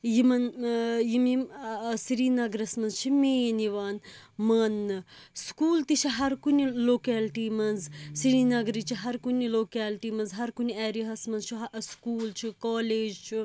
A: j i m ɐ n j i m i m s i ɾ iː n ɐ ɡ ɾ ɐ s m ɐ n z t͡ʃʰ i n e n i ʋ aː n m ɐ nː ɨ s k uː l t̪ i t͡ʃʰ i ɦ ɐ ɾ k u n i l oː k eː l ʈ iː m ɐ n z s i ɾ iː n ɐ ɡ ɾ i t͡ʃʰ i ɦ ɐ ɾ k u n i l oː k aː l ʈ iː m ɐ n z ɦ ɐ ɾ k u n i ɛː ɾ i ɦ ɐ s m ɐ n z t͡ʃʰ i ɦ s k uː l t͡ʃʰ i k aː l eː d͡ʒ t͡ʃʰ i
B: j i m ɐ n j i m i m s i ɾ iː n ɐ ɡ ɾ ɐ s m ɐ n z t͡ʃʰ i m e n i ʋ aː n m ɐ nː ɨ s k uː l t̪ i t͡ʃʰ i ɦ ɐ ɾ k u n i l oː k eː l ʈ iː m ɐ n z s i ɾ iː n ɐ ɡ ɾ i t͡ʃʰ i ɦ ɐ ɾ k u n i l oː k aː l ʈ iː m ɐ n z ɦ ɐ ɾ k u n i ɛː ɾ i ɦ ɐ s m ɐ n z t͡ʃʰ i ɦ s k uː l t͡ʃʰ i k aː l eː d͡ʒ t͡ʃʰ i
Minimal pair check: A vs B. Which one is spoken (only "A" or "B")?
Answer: B